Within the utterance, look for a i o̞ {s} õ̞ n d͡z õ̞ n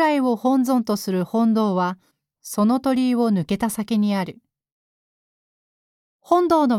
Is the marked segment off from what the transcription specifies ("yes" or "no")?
yes